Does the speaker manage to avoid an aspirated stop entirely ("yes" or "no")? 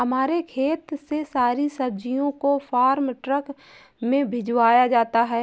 no